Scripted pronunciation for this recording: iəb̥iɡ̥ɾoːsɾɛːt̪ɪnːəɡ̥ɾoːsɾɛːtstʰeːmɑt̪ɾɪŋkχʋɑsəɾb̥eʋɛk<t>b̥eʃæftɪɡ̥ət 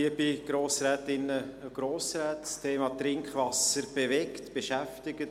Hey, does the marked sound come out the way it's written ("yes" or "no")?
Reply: yes